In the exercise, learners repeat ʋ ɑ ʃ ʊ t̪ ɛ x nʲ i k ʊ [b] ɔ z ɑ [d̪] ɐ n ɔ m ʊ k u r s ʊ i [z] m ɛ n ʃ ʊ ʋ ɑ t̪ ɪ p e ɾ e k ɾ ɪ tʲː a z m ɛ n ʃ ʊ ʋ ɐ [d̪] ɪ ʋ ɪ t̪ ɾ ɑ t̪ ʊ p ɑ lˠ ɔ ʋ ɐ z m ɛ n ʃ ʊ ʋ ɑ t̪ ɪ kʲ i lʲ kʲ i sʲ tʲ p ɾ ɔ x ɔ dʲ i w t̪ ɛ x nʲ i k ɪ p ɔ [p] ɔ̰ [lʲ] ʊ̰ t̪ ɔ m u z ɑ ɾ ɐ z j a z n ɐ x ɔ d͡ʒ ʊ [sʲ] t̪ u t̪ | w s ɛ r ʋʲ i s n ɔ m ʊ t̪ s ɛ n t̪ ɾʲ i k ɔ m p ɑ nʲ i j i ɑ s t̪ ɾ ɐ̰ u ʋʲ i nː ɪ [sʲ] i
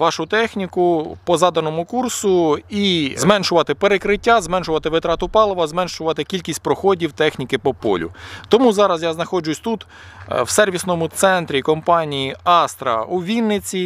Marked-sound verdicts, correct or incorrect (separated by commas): incorrect, correct, correct, incorrect, correct, correct, correct, incorrect